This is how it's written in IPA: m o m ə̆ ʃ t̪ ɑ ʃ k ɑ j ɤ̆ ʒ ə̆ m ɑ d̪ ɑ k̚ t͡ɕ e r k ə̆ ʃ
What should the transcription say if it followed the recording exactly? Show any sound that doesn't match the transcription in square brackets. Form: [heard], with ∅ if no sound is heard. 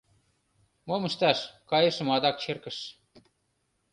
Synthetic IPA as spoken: m o m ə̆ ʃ t̪ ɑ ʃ k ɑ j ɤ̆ [ʃ] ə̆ m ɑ d̪ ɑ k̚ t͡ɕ e r k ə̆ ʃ

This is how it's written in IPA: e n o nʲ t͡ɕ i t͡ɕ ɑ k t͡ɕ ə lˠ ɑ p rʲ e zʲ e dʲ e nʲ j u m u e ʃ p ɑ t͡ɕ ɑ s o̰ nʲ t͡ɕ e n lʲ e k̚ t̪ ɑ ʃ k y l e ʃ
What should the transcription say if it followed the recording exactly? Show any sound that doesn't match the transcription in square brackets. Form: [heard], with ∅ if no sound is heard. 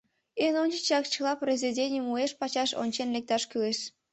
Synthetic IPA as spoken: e n o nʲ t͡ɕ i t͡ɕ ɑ k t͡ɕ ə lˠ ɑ p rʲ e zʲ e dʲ e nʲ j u m u e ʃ p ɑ t͡ɕ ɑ [ʃ] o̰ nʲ t͡ɕ e n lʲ e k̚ t̪ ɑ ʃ k y l e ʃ

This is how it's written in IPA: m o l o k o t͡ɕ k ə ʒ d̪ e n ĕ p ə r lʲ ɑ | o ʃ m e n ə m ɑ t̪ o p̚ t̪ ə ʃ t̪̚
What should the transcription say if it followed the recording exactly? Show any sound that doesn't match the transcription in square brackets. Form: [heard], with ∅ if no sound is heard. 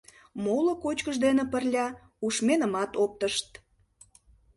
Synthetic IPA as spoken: m o l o k o t͡ɕ k ə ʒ d̪ e n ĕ p ə r lʲ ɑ | [u] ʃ m e n ə m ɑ t̪ o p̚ t̪ ə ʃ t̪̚

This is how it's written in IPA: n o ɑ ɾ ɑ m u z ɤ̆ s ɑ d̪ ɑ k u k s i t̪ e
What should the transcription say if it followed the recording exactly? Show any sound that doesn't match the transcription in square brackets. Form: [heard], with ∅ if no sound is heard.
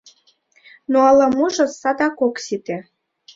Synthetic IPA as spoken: n o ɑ [l] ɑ m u [ʒ] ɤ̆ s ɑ d̪ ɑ k [o] k s i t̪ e

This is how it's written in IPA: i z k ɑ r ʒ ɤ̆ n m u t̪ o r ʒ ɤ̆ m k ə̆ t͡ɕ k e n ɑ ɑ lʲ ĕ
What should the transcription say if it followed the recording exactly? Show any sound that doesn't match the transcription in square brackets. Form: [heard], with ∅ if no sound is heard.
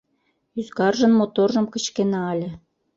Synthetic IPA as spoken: [y] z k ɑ r ʒ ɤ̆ n m [o] t̪ o r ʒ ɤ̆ m k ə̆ t͡ɕ k e n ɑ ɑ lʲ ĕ

